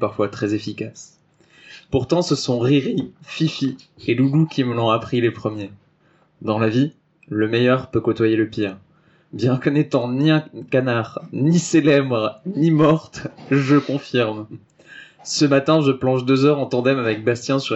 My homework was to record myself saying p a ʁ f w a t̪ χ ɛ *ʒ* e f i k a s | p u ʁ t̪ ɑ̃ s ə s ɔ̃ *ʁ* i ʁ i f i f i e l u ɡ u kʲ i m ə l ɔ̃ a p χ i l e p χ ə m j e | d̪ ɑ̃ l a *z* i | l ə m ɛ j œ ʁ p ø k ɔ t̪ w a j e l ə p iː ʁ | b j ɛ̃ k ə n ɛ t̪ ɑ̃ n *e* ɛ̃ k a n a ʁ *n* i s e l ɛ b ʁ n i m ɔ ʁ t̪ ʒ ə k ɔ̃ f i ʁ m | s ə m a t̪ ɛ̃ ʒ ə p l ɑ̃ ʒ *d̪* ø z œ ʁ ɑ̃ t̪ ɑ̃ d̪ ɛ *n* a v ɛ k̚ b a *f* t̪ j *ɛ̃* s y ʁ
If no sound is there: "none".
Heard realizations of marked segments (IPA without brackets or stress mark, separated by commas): z, ʁ, v, i, n, d̪, m, s, ɛ̃